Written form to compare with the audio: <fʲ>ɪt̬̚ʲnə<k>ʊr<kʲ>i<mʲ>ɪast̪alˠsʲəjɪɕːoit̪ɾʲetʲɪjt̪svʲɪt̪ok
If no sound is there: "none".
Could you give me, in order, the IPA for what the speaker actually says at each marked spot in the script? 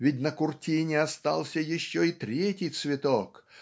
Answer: vʲ, k, tʲ, nʲ

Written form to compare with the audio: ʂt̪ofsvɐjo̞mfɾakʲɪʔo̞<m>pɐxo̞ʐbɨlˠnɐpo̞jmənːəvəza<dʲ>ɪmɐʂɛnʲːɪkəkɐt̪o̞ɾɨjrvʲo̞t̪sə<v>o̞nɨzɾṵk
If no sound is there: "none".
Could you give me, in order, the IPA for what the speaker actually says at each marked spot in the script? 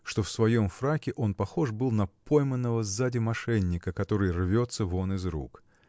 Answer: n, dʲ, v

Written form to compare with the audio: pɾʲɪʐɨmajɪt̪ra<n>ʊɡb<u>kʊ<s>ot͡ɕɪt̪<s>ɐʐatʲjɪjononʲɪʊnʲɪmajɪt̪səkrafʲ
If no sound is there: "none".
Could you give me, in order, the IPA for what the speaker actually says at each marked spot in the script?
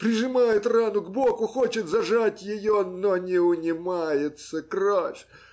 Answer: n, o, x, z

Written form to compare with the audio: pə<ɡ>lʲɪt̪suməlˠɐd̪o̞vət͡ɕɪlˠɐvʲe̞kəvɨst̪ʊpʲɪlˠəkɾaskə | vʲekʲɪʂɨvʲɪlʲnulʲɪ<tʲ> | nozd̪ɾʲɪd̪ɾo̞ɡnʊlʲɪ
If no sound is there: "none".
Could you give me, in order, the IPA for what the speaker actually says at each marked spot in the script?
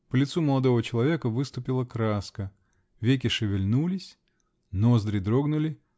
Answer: none, sʲ

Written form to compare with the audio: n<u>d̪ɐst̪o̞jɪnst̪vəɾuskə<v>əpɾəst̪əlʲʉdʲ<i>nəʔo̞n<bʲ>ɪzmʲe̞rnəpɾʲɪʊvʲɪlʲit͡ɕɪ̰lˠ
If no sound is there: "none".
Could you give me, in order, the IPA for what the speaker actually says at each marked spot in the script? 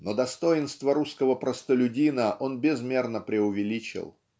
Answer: o, v, i, bʲ

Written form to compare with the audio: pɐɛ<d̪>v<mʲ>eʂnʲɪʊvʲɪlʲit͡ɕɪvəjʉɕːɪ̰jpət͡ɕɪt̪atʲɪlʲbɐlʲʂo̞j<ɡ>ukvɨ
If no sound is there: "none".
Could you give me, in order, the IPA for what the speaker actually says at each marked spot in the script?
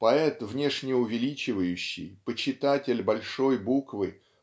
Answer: t̪, nʲ, b

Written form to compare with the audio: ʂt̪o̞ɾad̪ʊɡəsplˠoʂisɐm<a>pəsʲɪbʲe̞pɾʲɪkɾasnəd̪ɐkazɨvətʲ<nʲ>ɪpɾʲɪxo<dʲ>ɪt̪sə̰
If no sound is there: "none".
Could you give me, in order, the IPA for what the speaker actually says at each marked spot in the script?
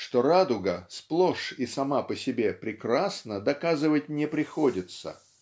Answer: a, nʲ, dʲ

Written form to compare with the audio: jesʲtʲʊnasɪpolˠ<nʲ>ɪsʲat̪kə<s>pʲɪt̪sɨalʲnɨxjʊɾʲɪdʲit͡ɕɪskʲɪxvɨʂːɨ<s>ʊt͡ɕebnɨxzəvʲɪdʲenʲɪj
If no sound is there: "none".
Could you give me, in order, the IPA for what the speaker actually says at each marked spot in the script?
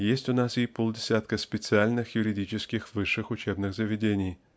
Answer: dʲ, s, x

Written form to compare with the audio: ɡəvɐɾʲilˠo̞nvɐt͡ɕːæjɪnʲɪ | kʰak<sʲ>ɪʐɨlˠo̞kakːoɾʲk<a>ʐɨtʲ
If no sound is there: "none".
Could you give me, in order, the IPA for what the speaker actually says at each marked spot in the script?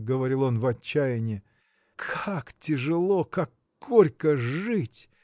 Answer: tʲ, ə

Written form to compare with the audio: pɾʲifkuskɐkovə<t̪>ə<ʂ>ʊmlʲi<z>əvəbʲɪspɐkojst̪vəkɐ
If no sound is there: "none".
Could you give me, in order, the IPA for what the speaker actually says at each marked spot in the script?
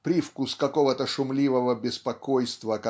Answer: t̪, ʂ, v

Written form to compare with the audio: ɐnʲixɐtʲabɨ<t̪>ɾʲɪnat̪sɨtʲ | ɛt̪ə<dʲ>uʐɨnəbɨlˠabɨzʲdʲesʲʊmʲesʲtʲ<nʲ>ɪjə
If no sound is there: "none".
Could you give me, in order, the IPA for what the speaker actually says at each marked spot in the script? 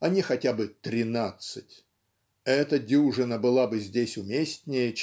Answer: t̪, dʲ, nʲ

